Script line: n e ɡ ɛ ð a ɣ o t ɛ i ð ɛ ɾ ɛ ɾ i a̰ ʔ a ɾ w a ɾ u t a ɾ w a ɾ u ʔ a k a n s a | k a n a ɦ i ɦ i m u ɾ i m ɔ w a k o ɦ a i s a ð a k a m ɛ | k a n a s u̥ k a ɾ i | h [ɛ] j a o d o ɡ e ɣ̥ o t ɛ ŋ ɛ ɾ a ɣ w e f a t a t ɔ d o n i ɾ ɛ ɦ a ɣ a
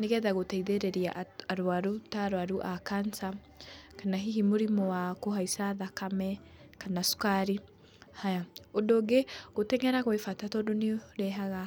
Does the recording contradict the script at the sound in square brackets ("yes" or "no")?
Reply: yes